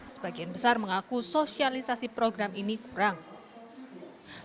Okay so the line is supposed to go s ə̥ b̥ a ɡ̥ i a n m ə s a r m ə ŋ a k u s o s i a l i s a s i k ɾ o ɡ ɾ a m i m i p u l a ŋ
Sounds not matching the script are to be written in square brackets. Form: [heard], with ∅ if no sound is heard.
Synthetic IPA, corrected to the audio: s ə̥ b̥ a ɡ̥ i a n [b] ə s a r m ə ŋ a k u s o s i a l i s a s i [p] ɾ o ɡ ɾ a m i [n] i [k] u [ɾ] a ŋ